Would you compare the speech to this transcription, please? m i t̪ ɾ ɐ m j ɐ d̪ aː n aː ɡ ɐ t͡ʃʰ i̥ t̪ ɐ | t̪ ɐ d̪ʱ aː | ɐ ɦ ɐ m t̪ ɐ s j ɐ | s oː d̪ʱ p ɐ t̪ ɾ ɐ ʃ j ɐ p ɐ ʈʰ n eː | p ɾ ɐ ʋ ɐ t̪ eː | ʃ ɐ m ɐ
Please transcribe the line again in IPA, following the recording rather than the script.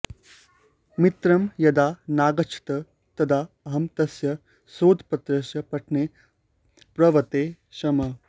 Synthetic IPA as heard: m i t̪ ɾ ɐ m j ɐ d̪ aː n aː ɡ ɐ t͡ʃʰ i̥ t̪ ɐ | t̪ ɐ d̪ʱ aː | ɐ ɦ ɐ m t̪ ɐ s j ɐ | s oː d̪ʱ p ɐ t̪ ɾ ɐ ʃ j ɐ p ɐ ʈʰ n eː | p ɾ ɐ ʋ ɐ t̪ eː | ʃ ɐ m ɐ